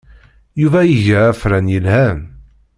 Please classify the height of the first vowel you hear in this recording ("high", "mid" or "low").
high